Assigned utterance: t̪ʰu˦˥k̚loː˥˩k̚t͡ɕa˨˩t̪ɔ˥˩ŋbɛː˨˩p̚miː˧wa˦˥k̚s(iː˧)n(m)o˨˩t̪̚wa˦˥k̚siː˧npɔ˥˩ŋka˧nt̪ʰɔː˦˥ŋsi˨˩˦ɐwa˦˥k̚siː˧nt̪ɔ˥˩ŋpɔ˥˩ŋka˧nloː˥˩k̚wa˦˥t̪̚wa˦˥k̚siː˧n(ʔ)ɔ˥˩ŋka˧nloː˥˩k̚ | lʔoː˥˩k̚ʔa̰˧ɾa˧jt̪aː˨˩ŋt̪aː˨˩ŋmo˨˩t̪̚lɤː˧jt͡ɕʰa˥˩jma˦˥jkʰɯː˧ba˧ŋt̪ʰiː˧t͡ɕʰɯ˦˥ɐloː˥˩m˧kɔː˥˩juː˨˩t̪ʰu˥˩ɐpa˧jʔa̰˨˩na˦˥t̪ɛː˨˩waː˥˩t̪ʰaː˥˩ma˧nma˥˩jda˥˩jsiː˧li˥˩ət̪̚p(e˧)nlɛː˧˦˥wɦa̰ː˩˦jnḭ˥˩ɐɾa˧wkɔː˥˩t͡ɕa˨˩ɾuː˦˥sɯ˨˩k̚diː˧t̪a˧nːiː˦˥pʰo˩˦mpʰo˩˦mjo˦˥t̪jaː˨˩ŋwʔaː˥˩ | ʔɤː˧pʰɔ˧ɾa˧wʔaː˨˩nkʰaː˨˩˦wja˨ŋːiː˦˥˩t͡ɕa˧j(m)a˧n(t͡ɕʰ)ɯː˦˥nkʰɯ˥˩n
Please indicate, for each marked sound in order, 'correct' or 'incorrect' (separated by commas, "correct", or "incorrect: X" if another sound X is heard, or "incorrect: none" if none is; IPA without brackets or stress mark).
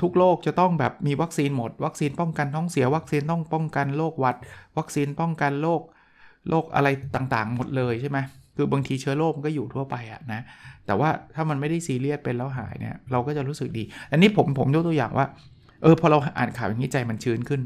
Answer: correct, correct, incorrect: p, correct, correct, correct